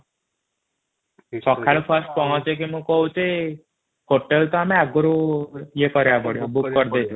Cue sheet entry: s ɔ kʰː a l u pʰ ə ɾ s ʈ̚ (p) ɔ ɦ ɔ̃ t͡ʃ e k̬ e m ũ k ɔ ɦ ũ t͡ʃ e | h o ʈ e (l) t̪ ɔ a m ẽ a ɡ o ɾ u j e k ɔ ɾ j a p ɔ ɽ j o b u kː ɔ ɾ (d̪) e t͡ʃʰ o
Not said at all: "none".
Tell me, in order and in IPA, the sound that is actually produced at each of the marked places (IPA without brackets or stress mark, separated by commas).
p, l, d̪